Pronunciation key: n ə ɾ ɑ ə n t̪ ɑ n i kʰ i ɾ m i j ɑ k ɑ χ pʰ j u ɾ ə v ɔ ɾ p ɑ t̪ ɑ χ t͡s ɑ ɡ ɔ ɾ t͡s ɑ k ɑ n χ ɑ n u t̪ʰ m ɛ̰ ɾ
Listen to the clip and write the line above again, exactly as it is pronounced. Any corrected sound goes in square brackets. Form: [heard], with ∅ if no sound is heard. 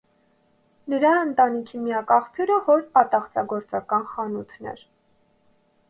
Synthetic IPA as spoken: n ə ɾ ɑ ə n t̪ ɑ n i kʰ i [∅] m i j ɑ k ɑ χ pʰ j u ɾ ə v ɔ ɾ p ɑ t̪ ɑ χ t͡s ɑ ɡ ɔ ɾ t͡s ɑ k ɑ n χ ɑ n u t̪ʰ [n] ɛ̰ ɾ

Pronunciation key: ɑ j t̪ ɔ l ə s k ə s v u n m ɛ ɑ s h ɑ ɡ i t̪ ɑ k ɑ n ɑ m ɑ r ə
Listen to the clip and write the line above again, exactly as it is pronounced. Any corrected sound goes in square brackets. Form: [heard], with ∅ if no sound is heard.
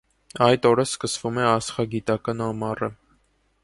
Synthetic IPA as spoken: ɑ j t̪ ɔ [ɾ] ə s k ə s v u [∅] m ɛ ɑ s [χ] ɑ ɡ i t̪ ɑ k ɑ n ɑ m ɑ r ə

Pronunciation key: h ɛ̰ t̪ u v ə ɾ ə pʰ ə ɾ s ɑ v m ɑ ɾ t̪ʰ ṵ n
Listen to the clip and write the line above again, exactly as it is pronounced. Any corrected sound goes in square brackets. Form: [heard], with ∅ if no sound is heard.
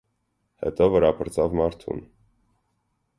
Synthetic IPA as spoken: h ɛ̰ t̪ [ɔ] v ə ɾ [ɑ] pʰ ə ɾ [t͡s] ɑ v m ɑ ɾ t̪ʰ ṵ n

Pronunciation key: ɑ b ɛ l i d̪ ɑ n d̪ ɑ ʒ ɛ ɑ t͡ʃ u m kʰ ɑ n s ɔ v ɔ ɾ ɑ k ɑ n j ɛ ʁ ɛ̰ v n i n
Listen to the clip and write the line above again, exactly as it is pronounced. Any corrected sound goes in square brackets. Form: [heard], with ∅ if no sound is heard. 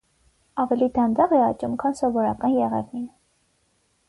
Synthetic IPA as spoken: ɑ [v] ɛ l i d̪ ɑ n d̪ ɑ [ʁ] ɛ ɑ t͡ʃ u m kʰ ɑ n s ɔ v ɔ ɾ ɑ k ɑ n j ɛ ʁ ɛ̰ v n i n

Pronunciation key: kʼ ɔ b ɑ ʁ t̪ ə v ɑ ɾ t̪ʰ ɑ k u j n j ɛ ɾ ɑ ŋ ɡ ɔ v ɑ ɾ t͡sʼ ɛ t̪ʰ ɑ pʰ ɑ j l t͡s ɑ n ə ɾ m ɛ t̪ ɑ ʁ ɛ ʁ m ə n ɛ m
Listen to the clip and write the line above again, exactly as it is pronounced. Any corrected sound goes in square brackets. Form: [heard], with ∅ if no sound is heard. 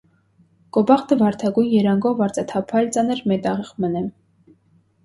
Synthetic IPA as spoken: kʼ ɔ b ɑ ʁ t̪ ə v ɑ ɾ t̪ʰ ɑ [ɡ] u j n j ɛ ɾ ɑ ŋ ɡ ɔ v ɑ ɾ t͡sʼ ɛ t̪ʰ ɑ pʰ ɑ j l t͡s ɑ n ə ɾ m ɛ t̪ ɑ ʁ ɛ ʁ m ə n ɛ m

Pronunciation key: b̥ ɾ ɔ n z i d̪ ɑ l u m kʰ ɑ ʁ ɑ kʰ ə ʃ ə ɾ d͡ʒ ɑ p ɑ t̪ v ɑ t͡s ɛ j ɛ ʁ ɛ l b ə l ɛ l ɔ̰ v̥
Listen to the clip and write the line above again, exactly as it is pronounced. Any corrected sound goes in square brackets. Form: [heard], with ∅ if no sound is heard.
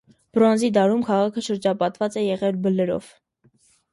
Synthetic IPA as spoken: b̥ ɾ ɔ n z i d̪ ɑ [ɾ] u m kʰ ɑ ʁ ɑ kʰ ə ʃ ə ɾ d͡ʒ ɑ p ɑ t̪ v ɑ t͡s ɛ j ɛ ʁ ɛ l b ə l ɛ [ɾ] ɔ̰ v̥

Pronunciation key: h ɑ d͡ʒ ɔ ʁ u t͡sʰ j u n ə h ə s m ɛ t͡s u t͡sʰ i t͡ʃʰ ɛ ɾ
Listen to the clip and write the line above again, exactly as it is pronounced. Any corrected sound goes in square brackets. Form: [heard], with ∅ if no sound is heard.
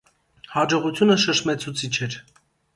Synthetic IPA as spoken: h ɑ d͡ʒ ɔ ʁ u t͡sʰ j u n ə [ʃ] ə [ʃ] m ɛ [t͡sʰ] u t͡sʰ i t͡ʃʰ ɛ ɾ

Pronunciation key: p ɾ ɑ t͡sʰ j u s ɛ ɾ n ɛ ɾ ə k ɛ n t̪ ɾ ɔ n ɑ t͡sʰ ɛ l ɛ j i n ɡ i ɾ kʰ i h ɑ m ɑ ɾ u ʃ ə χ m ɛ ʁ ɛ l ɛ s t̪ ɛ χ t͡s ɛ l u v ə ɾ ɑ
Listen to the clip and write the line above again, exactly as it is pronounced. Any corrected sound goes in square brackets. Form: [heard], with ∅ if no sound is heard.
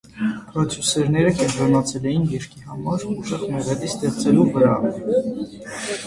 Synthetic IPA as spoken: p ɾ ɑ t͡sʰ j u s ɛ ɾ n ɛ ɾ ə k ɛ n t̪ ɾ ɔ n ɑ t͡sʰ ɛ l ɛ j i n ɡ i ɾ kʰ i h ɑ m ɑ ɾ u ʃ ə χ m ɛ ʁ ɛ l [i] s t̪ ɛ χ t͡s ɛ l u v ə ɾ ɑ

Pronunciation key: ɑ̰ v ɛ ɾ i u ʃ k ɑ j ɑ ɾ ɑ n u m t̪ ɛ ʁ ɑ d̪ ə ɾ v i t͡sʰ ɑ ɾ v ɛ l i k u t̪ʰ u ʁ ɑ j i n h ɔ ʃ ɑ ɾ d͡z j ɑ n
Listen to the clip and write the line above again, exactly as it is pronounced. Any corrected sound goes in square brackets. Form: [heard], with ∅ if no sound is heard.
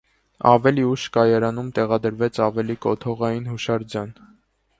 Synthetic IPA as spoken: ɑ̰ v ɛ [l] i u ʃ k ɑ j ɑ ɾ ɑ n u m t̪ ɛ ʁ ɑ d̪ ə ɾ v [ɛ] t͡sʰ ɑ [∅] v ɛ l i k [ɔ] t̪ʰ [ɔ] ʁ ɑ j i n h [u] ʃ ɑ ɾ d͡z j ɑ n

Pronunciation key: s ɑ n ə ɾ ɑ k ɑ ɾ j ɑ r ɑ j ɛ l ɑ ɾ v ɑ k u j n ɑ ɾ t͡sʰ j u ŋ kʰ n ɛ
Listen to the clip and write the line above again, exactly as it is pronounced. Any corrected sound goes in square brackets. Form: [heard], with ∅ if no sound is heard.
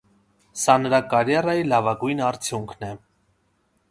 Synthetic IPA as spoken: s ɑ n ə ɾ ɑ k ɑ ɾ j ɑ r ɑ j [i] l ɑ [∅] v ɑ [ɡ] u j n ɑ ɾ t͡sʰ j u ŋ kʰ n ɛ

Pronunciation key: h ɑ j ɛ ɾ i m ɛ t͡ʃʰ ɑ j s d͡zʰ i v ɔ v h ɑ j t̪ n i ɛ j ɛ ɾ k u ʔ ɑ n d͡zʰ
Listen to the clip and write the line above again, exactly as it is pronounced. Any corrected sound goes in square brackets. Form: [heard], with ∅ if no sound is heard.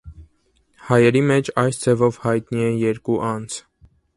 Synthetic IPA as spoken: h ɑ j ɛ ɾ i m ɛ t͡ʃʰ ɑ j s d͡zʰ [ɛ] v ɔ v h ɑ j t̪ n i ɛ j ɛ ɾ k u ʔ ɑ n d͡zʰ

